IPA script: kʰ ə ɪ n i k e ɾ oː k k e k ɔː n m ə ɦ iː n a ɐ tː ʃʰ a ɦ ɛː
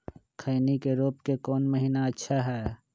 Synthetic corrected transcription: kʰ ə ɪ n i k e ɾ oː p k e k ɔː n m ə ɦ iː n a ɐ tː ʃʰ a ɦ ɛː

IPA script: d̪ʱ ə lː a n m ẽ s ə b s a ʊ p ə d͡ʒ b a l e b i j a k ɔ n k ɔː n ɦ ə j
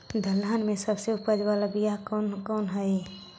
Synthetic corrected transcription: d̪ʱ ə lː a n m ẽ s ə b s e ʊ p ə d͡ʒ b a l a b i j a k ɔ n k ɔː n ɦ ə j

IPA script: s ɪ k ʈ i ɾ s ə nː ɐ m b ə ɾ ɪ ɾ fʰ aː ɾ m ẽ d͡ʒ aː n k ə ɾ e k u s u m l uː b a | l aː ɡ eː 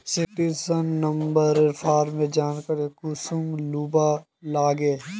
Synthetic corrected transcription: s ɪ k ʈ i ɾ s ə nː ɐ m b ə ɾ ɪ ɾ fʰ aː ɾ m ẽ d͡ʒ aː n k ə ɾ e k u s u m l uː b a | l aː ɡ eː

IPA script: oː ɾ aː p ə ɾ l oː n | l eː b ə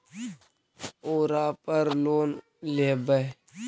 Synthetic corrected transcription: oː ɾ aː p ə ɾ l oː n | l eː b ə

